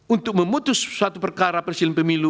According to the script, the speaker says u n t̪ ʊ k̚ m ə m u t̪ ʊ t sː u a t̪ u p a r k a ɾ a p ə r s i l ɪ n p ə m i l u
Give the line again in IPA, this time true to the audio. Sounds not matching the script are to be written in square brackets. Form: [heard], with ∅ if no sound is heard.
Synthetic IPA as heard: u n t̪ ʊ k̚ m ə m u t̪ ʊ [s] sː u a t̪ u p [ə] r k a ɾ a p ə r s i l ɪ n p ə m i l u